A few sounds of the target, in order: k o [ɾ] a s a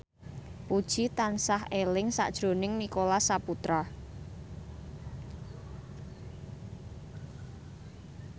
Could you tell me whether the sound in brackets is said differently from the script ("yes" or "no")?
yes